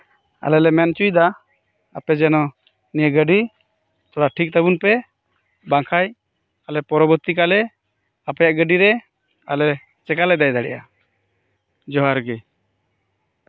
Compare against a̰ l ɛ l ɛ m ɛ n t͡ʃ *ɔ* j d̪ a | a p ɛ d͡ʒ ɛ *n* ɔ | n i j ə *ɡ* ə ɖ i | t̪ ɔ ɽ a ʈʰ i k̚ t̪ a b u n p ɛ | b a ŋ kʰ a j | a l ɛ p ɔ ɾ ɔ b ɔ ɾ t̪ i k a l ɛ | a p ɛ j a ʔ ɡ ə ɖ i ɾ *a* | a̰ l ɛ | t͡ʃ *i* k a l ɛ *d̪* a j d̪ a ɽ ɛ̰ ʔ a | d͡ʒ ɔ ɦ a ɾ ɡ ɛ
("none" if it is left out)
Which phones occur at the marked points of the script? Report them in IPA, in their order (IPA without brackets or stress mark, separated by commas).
u, n, ɡ, ɛ, ɛ, d̪